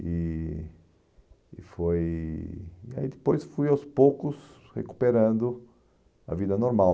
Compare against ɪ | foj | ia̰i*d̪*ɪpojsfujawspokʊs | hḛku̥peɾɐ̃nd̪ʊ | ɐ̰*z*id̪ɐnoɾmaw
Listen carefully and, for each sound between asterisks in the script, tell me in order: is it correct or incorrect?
correct, incorrect: v

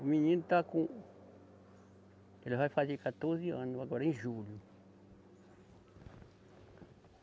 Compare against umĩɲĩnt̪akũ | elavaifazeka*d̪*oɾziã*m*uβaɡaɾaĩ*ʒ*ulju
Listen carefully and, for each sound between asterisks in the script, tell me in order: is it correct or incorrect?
incorrect: t̪, incorrect: n, correct

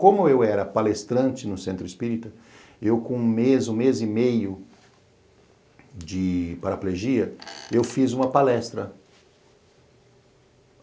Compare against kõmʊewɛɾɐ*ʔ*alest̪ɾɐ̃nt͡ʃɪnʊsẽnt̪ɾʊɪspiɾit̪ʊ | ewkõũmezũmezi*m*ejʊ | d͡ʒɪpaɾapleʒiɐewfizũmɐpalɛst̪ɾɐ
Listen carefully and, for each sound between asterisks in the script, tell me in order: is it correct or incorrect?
incorrect: p, correct

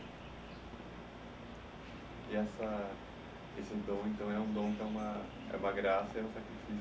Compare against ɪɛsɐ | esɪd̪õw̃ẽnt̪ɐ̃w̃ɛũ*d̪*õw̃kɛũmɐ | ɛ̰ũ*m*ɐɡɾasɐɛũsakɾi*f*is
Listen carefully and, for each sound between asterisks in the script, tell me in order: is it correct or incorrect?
correct, correct, correct

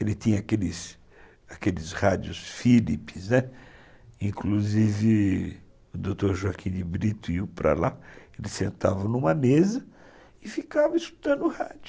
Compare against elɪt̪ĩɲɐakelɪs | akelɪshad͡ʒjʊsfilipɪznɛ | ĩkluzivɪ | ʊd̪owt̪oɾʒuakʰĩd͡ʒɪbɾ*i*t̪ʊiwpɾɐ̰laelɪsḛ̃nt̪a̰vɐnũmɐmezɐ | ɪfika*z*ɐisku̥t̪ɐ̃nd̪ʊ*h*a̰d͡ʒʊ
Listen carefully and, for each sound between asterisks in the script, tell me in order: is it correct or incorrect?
correct, incorrect: v, correct

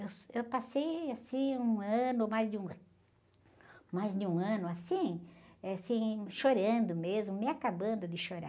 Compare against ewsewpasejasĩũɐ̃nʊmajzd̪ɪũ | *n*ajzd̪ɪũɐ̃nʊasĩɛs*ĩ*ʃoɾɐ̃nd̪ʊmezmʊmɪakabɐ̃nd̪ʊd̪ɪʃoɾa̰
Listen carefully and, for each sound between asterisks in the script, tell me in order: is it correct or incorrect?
incorrect: m, correct

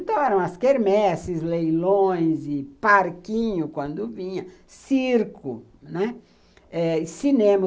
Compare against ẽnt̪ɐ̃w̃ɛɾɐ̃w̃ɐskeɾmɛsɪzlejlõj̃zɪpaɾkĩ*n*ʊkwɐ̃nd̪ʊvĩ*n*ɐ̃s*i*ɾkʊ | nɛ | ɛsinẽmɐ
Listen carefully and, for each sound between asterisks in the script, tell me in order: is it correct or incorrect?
incorrect: ɲ, incorrect: ɲ, correct

